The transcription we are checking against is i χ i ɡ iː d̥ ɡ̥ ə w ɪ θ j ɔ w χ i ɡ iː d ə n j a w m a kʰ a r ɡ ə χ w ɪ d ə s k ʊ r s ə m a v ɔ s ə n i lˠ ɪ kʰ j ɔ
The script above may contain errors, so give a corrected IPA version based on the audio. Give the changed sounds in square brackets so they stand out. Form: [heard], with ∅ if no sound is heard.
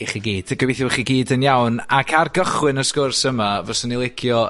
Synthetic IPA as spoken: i χ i ɡ iː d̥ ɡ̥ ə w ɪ θ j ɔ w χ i ɡ iː d ə n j a w [n] a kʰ a r ɡ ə χ w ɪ [n] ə s k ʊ r s ə m a v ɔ s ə n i lˠ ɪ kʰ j ɔ